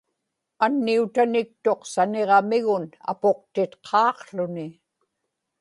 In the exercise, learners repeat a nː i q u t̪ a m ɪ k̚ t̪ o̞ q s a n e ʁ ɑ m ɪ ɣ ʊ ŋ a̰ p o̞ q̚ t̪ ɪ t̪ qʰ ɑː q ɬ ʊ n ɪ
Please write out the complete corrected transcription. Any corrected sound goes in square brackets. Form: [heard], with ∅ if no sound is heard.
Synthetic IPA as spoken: a nː i [∅] u t̪ a [n] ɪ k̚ t̪ o̞ q s a n e ʁ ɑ m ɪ ɣ ʊ [n] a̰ p o̞ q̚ t̪ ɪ t̪ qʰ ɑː q ɬ ʊ n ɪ